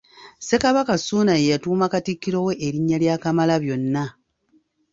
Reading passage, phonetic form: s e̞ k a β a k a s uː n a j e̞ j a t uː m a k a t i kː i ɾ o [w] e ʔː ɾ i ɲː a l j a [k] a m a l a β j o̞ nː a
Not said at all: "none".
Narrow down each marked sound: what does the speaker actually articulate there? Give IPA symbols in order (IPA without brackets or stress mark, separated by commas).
w, k